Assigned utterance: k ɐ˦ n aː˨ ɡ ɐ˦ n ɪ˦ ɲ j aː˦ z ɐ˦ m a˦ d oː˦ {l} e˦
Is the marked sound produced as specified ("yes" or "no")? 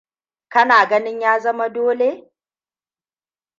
yes